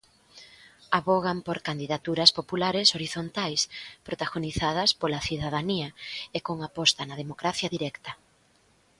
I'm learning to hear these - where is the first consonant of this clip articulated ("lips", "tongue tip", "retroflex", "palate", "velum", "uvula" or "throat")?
lips